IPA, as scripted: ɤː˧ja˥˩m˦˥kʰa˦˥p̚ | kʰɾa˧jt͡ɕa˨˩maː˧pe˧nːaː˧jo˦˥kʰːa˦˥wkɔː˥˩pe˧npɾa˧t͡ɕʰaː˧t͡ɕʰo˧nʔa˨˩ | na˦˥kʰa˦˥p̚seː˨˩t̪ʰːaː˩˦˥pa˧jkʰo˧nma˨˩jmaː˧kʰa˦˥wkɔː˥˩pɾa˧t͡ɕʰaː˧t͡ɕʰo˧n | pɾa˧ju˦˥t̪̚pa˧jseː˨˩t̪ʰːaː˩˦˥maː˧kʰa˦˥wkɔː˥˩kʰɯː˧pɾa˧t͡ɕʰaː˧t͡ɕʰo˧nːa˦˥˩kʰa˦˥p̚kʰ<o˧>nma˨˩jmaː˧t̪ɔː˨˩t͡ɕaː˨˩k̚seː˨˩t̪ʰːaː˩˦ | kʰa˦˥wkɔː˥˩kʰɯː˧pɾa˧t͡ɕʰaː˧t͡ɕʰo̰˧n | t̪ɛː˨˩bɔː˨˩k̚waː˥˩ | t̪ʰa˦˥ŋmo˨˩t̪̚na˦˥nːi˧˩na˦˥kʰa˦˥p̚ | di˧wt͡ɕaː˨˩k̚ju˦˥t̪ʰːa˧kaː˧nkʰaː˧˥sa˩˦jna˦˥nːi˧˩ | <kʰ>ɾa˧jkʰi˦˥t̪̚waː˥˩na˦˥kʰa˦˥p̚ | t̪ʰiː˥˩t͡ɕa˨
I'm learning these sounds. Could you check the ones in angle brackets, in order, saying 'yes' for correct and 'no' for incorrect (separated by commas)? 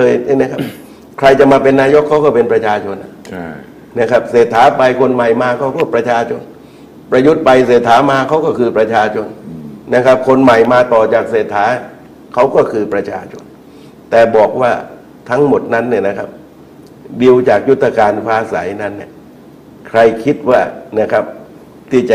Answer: yes, yes